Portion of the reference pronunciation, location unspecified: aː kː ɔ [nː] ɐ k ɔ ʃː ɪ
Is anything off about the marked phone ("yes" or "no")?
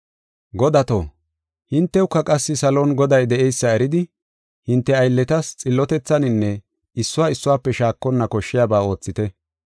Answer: no